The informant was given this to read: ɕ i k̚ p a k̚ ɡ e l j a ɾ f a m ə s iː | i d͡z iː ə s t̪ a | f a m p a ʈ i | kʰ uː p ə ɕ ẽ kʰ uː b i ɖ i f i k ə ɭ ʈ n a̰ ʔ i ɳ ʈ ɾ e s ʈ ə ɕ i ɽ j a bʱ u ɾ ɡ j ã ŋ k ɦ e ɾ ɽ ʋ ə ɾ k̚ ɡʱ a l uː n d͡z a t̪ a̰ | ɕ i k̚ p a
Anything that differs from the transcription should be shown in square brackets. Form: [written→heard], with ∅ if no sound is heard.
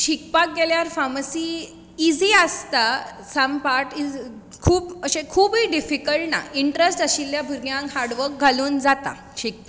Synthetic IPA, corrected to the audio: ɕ i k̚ p a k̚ ɡ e l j a ɾ f a m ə s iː | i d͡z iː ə s t̪ a | [f→s] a m p a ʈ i | kʰ uː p ə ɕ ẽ kʰ uː b i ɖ i f i k ə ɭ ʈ n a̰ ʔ i ɳ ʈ ɾ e s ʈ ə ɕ i [ɽ→l] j a bʱ u ɾ ɡ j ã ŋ k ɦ [e→a] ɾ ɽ ʋ ə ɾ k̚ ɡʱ a l uː n d͡z a t̪ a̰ | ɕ i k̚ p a